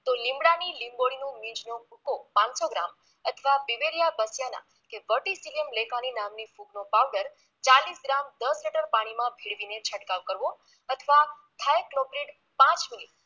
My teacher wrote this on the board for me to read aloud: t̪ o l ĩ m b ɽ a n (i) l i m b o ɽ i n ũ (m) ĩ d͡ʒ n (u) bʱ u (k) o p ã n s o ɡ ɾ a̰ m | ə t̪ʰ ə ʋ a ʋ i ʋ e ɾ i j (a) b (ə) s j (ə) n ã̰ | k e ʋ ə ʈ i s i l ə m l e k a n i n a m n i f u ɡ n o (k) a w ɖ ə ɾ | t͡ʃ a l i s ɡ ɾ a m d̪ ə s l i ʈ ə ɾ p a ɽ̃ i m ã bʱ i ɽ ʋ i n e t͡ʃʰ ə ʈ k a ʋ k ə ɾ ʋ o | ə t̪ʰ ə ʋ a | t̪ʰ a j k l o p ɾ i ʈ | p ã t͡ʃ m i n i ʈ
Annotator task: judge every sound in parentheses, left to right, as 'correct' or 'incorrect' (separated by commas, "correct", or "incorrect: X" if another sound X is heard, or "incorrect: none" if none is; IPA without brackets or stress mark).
correct, correct, incorrect: o, correct, correct, correct, incorrect: a, incorrect: p